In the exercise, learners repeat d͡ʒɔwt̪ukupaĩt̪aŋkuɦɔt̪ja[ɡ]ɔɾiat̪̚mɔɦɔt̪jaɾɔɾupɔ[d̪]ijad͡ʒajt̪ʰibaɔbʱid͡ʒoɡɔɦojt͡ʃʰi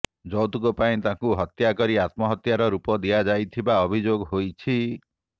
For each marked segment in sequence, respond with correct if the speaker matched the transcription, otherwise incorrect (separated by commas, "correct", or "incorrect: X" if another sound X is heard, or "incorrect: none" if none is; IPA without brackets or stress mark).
incorrect: k, correct